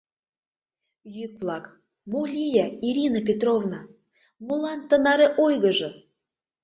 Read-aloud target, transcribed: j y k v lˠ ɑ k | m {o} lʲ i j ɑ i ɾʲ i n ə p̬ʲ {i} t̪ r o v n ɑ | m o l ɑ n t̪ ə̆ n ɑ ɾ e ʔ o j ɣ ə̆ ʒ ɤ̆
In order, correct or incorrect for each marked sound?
correct, incorrect

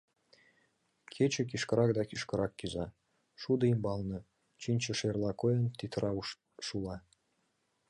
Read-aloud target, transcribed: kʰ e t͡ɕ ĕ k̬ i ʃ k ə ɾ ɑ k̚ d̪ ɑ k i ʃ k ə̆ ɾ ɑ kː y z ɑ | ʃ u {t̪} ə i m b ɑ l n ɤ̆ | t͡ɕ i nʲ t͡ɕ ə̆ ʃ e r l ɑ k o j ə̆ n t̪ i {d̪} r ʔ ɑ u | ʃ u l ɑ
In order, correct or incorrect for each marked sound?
incorrect, incorrect

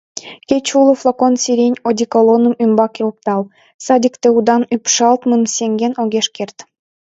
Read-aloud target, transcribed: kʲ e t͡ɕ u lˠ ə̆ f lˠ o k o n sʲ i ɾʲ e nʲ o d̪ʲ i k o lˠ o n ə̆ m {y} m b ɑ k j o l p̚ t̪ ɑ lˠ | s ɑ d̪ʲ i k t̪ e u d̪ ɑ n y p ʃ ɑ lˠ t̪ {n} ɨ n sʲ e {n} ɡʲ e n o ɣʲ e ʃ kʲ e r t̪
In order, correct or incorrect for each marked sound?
correct, incorrect, incorrect

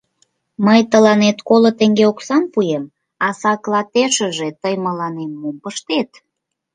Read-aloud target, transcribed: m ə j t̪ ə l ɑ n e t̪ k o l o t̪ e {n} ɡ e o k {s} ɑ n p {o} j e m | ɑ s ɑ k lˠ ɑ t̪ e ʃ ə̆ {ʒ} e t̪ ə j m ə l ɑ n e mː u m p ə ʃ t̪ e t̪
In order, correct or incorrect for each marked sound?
incorrect, correct, incorrect, correct

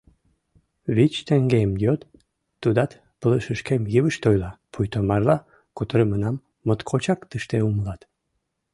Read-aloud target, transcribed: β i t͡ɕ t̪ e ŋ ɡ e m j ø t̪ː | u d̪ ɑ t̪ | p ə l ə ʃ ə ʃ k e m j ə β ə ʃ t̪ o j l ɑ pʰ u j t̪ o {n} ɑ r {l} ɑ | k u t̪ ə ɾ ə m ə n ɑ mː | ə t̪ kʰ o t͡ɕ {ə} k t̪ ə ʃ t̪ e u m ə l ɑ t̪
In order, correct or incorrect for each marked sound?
incorrect, correct, incorrect

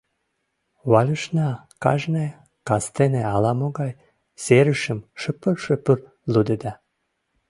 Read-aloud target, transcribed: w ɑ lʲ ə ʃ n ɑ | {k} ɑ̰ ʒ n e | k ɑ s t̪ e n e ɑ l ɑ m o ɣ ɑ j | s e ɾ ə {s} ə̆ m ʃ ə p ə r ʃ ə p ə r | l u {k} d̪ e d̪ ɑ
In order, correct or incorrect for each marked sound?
correct, incorrect, incorrect

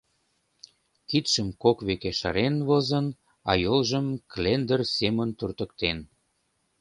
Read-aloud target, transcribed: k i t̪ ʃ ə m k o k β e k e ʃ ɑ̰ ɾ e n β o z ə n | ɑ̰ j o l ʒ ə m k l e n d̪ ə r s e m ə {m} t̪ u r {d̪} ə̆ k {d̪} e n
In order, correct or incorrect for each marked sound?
incorrect, incorrect, incorrect

